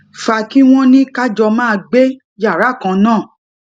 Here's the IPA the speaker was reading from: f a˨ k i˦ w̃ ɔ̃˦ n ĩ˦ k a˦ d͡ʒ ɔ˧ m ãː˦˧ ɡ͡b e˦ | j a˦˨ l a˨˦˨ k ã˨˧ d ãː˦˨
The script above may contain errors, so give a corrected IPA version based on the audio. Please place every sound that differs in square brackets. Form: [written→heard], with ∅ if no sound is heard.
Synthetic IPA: f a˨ k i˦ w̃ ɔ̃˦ n ĩ˦ k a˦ d͡ʒ ɔ˧ m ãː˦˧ ɡ͡b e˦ | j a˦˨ [l→ɾ] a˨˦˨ k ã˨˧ [d→n] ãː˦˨